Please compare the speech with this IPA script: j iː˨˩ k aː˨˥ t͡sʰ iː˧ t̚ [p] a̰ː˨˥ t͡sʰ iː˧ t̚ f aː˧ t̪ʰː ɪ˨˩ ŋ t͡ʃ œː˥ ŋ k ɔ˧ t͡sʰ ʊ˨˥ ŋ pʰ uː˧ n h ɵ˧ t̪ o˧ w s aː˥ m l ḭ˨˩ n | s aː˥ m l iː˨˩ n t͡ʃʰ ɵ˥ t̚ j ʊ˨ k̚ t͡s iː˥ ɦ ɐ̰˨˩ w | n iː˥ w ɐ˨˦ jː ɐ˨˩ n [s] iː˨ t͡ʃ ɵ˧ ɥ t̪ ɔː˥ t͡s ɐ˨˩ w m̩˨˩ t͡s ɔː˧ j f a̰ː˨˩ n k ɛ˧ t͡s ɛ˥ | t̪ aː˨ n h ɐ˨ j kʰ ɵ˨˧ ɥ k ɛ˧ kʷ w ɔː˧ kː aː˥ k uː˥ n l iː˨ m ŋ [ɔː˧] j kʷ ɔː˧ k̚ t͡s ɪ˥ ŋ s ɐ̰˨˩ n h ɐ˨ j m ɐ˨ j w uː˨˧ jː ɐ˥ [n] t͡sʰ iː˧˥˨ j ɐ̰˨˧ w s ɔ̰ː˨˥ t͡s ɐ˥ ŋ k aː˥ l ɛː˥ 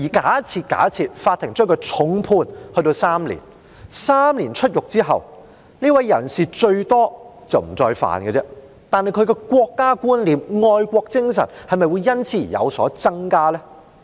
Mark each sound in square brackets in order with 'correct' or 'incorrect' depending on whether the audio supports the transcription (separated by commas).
incorrect, correct, correct, correct